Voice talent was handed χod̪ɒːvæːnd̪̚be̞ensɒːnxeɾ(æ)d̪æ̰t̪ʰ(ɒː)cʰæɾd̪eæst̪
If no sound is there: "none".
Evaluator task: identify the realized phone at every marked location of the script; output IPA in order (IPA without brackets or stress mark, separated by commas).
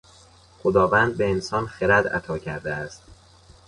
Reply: æ, ɒː